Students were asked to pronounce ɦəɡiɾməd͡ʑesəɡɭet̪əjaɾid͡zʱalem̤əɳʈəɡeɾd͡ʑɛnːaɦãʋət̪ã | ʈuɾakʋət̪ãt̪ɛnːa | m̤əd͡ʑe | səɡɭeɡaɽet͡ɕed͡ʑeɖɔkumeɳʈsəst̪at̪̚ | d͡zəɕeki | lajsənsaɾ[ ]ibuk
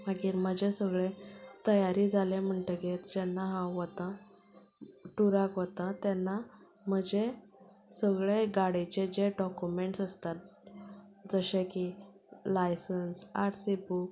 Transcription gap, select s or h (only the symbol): s